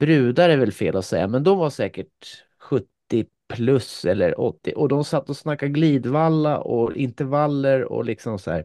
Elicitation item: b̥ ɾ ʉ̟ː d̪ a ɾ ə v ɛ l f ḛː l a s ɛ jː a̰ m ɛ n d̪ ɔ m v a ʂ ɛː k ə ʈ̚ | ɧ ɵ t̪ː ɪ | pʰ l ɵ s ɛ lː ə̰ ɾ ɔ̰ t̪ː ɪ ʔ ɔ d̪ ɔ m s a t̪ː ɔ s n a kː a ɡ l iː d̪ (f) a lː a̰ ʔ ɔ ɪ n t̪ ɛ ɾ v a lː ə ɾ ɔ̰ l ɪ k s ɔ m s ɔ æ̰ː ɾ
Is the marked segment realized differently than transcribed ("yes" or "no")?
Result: yes